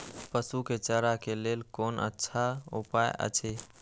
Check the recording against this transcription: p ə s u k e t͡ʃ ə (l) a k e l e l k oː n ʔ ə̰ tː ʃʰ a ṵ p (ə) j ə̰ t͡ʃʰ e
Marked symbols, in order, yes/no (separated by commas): no, no